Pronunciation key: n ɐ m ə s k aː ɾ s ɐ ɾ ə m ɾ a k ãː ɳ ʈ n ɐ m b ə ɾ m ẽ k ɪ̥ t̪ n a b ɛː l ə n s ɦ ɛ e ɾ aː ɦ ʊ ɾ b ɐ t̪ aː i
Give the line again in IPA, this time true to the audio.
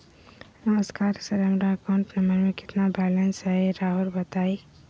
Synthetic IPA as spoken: n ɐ m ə s k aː ɾ s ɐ ɾ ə m ɾ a k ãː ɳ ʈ n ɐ m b ə ɾ m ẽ k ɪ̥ t̪ n a b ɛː l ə n s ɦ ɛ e ɾ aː ɦ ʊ ɾ b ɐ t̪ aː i